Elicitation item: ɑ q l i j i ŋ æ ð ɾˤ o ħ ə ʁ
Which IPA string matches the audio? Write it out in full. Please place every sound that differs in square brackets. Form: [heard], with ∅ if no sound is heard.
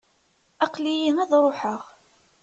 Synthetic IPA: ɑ q l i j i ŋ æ ð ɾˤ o ħ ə ʁ